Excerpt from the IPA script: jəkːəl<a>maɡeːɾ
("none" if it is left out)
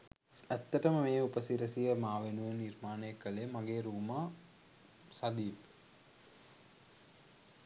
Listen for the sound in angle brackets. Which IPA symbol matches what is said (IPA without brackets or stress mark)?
e